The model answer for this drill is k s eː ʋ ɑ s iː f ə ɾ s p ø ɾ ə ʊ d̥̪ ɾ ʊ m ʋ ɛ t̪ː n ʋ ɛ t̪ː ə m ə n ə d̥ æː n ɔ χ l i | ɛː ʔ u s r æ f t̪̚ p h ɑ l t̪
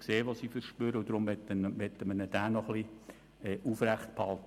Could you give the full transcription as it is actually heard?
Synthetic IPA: k s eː ʋ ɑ s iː f ə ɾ ʃ p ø ɾ ə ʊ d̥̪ ɾ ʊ m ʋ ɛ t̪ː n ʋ ɛ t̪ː ə m ə n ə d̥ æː n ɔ χ l i | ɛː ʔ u f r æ χ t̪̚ p h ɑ l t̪